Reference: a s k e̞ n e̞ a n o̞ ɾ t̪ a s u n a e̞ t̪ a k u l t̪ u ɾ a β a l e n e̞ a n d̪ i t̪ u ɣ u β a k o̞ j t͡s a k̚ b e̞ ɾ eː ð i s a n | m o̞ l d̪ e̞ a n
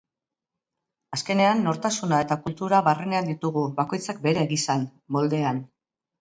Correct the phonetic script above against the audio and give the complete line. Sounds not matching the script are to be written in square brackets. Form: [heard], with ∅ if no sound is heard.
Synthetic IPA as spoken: a s k e̞ n e̞ a [nː] o̞ ɾ t̪ a s u n a e̞ t̪ a k u l t̪ u ɾ a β a [r] e n e̞ a n d̪ i t̪ u ɣ u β a k o̞ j t͡s a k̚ b e̞ ɾ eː [ɣ] i s a n | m o̞ l d̪ e̞ a n